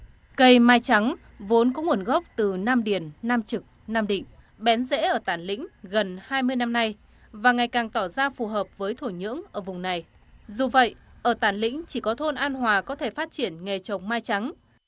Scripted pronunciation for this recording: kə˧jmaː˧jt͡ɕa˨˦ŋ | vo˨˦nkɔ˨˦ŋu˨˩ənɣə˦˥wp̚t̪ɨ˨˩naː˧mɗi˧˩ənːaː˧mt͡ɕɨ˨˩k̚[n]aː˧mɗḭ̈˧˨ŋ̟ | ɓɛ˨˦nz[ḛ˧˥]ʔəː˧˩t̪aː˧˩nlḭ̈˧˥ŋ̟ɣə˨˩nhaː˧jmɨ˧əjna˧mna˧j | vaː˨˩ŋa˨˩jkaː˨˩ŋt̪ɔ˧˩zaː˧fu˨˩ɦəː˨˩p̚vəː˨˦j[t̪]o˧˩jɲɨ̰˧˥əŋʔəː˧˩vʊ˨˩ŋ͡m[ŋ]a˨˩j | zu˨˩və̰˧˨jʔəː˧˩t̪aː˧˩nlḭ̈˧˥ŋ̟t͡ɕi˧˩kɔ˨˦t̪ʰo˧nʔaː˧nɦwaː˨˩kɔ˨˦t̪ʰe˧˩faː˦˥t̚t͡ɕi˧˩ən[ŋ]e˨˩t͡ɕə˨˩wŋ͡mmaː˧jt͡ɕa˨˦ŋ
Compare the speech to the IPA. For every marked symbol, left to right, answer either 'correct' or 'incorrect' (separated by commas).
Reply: correct, correct, incorrect, incorrect, correct